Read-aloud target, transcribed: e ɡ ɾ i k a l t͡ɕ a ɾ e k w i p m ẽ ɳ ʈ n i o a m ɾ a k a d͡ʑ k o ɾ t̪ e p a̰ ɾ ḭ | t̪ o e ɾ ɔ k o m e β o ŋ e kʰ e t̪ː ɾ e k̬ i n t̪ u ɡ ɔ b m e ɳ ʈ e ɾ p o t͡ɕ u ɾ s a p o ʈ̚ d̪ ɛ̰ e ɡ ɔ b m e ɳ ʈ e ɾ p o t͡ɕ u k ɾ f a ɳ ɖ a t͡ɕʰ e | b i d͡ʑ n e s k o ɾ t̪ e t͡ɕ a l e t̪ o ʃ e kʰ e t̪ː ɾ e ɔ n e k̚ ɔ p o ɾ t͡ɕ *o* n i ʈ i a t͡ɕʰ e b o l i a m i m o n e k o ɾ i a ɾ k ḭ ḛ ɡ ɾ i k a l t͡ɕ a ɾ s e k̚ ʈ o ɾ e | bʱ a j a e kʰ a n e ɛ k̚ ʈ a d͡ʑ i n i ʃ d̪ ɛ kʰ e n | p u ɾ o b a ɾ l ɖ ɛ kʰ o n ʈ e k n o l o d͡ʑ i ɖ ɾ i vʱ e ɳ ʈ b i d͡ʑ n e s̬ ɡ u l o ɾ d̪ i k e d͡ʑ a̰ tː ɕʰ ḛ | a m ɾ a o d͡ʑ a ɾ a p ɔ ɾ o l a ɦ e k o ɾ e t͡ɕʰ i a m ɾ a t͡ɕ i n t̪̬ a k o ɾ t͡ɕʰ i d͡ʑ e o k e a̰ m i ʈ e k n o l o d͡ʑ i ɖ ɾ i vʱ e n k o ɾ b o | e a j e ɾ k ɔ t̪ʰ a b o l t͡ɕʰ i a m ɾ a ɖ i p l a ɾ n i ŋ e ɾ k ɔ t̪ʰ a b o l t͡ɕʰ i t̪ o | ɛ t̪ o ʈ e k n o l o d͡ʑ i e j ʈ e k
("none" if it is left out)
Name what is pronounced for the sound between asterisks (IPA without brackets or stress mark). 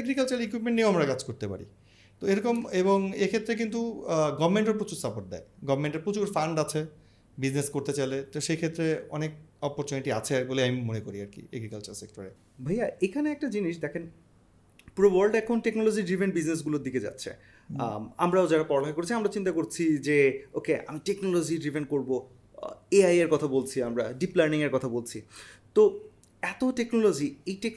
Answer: o